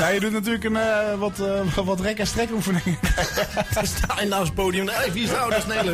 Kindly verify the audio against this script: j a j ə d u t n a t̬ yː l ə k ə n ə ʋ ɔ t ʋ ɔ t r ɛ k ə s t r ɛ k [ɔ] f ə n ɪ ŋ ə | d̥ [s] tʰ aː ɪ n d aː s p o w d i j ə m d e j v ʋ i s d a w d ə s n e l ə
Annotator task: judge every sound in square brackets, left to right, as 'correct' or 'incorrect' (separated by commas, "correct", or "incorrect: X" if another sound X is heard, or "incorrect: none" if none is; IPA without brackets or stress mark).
incorrect: u, correct